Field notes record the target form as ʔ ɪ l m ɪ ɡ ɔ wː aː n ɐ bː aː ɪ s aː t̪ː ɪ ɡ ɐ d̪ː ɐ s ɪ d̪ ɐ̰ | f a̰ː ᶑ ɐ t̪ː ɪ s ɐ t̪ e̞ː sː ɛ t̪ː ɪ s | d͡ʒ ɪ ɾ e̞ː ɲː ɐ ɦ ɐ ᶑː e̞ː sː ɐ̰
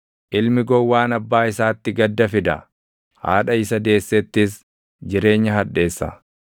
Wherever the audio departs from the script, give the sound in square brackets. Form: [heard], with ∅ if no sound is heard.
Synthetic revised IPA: ʔ ɪ l m ɪ ɡ ɔ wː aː n ɐ bː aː ɪ s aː t̪ː ɪ ɡ ɐ d̪ː ɐ [f] ɪ d̪ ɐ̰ | [h] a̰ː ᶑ ɐ [∅] ɪ s ɐ [d̪] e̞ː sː ɛ t̪ː ɪ s | d͡ʒ ɪ ɾ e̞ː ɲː ɐ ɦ ɐ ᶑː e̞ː sː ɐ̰